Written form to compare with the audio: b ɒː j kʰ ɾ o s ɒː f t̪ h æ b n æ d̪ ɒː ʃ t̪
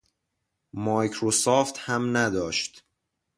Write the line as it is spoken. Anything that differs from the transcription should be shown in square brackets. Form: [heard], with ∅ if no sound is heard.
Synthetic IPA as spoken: [m] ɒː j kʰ ɾ o s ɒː f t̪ h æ [m] n æ d̪ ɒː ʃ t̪